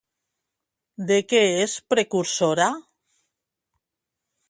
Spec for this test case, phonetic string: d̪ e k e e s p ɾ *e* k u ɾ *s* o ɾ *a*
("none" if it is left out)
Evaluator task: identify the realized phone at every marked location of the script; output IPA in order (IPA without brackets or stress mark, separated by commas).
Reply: e, s, a